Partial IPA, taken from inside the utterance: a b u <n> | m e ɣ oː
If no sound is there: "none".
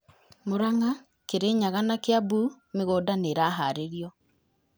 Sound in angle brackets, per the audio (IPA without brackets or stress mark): none